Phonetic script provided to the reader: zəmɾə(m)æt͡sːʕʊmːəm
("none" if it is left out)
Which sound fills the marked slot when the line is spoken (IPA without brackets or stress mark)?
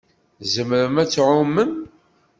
m